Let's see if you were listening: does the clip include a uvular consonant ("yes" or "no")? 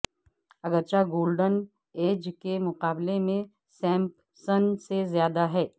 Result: yes